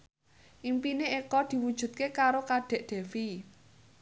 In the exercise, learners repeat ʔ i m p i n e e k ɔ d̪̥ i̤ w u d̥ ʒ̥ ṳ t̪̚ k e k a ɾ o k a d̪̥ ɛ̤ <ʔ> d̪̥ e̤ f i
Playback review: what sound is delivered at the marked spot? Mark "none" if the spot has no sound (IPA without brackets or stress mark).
ʔ